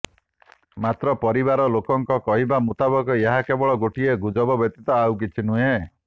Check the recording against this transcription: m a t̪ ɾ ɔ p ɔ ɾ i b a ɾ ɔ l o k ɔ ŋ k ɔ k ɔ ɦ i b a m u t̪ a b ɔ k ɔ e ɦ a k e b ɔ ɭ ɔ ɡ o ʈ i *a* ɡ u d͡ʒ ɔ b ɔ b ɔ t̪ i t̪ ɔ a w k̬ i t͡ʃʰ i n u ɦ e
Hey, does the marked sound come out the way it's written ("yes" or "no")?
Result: no